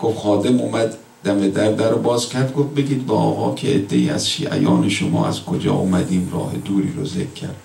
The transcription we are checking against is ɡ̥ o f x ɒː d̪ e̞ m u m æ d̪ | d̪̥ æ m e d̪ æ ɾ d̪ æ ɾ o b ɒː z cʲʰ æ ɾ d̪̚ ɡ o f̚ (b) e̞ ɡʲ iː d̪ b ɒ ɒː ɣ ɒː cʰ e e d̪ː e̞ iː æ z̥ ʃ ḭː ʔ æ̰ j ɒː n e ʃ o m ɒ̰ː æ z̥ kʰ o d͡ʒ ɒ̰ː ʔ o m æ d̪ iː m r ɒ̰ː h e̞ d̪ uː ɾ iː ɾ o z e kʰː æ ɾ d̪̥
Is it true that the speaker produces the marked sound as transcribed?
yes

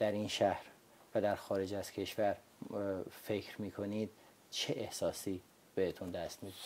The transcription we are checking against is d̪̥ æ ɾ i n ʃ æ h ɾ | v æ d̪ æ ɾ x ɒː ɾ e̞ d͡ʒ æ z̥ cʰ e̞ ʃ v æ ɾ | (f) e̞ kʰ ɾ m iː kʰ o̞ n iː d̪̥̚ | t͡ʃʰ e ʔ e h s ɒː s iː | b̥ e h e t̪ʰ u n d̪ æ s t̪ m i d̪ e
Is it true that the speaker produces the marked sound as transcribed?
yes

